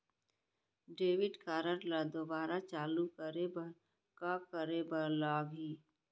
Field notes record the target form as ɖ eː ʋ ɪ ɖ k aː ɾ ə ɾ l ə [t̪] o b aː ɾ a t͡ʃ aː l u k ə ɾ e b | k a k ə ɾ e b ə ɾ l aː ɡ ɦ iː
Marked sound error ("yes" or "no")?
yes